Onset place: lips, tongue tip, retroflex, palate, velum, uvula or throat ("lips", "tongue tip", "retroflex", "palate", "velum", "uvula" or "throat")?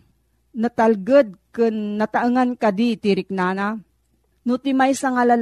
tongue tip